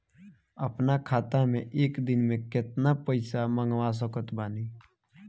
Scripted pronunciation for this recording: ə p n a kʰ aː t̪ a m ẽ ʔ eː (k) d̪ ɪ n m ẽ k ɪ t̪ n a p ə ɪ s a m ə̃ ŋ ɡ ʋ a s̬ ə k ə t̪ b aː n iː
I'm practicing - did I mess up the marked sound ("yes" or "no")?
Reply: no